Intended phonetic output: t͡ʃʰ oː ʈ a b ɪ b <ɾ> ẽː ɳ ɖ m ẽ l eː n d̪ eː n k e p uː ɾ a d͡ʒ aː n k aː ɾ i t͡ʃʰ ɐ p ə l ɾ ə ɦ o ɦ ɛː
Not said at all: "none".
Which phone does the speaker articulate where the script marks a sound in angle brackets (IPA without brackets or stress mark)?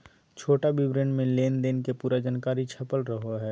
ɾ